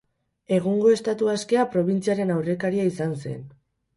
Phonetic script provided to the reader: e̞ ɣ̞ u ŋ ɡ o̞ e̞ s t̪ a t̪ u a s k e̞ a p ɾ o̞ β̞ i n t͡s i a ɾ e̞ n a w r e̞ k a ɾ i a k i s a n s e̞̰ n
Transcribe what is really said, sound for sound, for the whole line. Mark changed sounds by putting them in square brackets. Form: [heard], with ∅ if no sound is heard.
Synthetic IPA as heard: e̞ ɣ̞ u ŋ ɡ o̞ e̞ s t̪ a t̪ u a s k e̞ a p ɾ o̞ β̞ i n t͡s i a ɾ e̞ n a w r e̞ k a ɾ i a [∅] i s a n s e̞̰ n

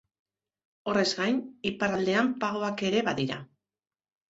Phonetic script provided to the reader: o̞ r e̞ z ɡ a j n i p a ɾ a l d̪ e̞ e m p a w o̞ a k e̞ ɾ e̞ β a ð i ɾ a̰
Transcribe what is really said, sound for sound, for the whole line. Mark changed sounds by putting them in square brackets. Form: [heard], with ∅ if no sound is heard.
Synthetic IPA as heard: o̞ r e̞ z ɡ a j n i p a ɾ a l d̪ e̞ [a] m p a [ɣ] o̞ a k e̞ ɾ e̞ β a ð i ɾ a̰

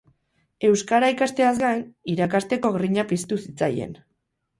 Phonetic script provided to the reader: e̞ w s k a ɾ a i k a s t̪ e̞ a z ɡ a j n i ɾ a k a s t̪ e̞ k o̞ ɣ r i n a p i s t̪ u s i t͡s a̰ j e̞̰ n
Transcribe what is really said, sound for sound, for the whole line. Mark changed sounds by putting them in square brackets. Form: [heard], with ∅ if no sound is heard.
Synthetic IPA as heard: e̞ w s k a ɾ a i k a s t̪ e̞ a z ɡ a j n i ɾ a k a s t̪ e̞ k o̞ ɣ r i [ɲ] a p i s t̪ u s i t͡s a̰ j e̞̰ n

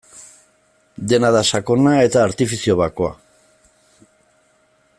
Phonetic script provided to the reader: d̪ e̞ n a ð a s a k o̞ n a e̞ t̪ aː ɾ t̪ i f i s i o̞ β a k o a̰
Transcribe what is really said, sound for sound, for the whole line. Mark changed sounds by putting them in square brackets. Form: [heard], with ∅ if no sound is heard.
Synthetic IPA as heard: d̪ e̞ n a ð a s a k o̞ n a e̞ t̪ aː ɾ t̪ i f i s i o̞ β a k o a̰

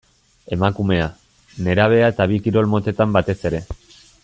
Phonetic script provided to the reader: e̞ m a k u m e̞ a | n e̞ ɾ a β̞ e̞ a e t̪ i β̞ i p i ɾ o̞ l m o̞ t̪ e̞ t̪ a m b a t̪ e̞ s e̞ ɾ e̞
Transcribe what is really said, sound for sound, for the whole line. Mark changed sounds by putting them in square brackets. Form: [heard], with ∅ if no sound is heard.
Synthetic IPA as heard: e̞ m a k u m e̞ a | n e̞ ɾ a β̞ e̞ a e t̪ [a] β̞ i [k] i ɾ o̞ l m o̞ t̪ e̞ t̪ a m b a t̪ e̞ s e̞ ɾ e̞

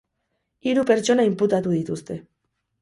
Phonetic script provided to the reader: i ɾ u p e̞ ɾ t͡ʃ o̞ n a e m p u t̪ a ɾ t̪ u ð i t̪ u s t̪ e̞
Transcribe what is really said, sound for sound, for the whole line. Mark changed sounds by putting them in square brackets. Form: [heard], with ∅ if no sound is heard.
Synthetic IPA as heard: i ɾ u p e̞ ɾ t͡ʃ o̞ n a [i] m p u t̪ a [∅] t̪ u ð i t̪ u s t̪ e̞

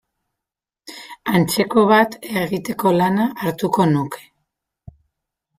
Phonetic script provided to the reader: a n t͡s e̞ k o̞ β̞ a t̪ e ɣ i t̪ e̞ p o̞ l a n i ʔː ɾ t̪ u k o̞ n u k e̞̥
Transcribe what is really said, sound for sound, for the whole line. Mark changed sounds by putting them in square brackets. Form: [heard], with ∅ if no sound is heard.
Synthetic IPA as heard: a n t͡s e̞ k o̞ β̞ a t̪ e ɣ i t̪ e̞ [k] o̞ l a n [a] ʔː ɾ t̪ u k o̞ n u k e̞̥

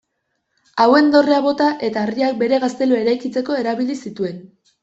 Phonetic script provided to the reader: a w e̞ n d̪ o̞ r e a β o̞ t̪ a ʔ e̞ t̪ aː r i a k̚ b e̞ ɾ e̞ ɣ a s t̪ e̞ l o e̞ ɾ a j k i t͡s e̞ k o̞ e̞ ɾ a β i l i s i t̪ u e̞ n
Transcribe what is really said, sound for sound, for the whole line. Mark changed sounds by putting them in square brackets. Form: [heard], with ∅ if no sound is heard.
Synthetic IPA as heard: a w e̞ n d̪ o̞ r e a β o̞ t̪ a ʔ e̞ t̪ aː r i a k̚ b e̞ ɾ e̞ ɣ a s t̪ e̞ l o e̞ ɾ a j k i t͡s e̞ k o̞ e̞ ɾ a β i l i s i t̪ u e̞ n

